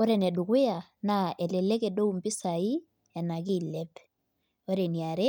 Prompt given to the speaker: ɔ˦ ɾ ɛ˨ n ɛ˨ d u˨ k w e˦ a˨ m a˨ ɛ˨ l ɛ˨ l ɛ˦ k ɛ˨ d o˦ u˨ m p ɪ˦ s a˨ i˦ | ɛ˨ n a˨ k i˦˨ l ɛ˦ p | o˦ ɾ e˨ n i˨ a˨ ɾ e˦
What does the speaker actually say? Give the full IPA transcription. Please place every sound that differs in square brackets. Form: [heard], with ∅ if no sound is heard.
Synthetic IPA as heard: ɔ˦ ɾ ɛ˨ n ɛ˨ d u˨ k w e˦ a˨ [n] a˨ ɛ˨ l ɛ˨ l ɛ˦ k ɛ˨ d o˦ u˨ m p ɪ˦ s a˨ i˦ | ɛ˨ n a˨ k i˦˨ l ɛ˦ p | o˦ ɾ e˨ n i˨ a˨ ɾ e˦

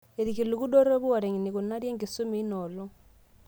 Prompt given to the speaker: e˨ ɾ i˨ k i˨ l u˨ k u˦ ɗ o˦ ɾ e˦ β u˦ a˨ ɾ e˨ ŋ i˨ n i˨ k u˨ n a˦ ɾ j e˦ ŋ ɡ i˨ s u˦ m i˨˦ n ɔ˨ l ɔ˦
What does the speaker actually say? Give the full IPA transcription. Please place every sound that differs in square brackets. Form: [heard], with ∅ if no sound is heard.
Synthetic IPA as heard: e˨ ɾ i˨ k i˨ l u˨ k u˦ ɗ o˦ ɾ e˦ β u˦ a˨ ɾ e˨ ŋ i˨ n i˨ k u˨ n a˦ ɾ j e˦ ŋ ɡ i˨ s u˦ m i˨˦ n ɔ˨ l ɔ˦

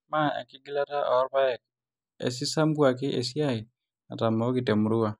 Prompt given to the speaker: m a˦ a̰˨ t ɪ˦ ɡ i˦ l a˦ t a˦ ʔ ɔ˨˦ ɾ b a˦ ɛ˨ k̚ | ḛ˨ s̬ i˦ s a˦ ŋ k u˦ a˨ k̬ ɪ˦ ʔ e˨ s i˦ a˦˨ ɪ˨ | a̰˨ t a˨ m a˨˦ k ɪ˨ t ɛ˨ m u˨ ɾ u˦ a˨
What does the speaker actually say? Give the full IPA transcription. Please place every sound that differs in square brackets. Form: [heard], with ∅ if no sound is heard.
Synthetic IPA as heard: m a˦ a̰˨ [k] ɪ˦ ɡ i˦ l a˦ t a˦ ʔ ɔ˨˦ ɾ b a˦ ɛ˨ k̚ | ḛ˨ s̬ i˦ s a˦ [m] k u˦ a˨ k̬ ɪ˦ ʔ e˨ s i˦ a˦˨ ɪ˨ | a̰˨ t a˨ m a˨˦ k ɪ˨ t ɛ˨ m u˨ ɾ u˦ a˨

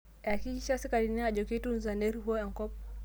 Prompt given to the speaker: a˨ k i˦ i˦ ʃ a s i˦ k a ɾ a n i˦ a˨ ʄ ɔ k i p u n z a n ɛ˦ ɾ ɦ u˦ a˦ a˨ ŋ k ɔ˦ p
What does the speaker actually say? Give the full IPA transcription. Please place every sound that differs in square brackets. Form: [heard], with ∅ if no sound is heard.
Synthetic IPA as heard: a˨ k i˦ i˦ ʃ a s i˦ k a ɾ [i] n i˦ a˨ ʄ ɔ k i [t] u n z a n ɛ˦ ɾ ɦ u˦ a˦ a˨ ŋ k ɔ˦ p

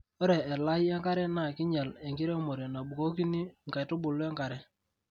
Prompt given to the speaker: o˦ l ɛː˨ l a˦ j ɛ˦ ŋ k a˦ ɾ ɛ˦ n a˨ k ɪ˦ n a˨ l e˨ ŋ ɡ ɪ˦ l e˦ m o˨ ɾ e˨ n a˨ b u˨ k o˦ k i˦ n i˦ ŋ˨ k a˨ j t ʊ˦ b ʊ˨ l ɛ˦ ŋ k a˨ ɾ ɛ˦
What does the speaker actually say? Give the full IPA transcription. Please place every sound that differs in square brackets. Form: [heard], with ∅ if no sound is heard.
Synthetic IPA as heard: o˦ [ɾ] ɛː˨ l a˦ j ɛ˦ ŋ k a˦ ɾ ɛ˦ n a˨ k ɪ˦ [ɲ] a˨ l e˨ ŋ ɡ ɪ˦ [ɾ] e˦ m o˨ ɾ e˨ n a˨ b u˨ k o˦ k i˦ n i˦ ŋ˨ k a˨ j t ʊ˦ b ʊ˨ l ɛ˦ ŋ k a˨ ɾ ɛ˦

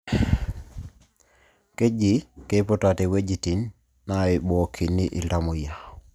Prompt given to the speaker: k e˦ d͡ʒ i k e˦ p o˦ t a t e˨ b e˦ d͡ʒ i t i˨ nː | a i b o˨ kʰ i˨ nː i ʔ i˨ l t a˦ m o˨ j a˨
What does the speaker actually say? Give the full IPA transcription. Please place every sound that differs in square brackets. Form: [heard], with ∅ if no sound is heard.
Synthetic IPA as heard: k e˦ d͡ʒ i k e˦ p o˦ t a t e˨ [w] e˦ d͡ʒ i t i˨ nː | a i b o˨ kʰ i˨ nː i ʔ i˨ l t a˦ m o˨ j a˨

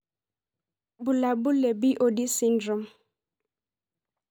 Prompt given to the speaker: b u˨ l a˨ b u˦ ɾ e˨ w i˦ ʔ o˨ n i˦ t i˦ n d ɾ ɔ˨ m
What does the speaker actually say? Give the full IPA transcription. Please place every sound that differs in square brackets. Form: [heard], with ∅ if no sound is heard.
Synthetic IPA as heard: b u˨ l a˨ b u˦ [l] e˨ [b] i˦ ʔ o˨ [d] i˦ [s] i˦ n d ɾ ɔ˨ m

